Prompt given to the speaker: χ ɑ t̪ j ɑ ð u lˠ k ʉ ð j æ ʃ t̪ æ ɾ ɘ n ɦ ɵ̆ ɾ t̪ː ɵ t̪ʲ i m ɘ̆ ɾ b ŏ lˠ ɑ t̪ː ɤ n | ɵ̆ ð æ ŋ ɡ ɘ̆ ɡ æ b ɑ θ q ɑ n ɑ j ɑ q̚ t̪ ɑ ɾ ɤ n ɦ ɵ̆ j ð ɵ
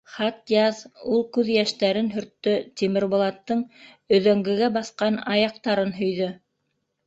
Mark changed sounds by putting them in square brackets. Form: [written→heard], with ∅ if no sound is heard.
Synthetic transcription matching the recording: χ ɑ t̪ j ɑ ð u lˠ k ʉ ð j æ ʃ t̪ æ ɾ ɘ n ɦ ɵ̆ ɾ t̪ː ɵ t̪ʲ i m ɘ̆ ɾ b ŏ lˠ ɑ t̪ː ɤ [n→ɴ] | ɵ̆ ð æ ŋ ɡ ɘ̆ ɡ æ b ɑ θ q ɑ n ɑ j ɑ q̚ t̪ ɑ ɾ ɤ n ɦ ɵ̆ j ð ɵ

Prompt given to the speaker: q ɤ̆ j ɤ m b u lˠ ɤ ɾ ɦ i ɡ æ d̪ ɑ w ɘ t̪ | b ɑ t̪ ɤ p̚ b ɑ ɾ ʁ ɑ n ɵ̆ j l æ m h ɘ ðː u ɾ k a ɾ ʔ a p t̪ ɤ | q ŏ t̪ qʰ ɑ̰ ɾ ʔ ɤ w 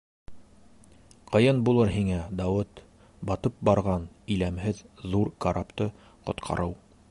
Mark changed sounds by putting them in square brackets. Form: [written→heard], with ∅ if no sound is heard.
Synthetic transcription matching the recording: q ɤ̆ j ɤ [m→n] b u lˠ ɤ ɾ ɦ i [ɡ→ŋ] æ d̪ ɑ w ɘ t̪ | b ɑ t̪ ɤ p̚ b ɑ ɾ ʁ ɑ n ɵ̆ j l æ m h ɘ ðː u ɾ k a ɾ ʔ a p t̪ ɤ | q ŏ t̪ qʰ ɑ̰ ɾ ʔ ɤ w

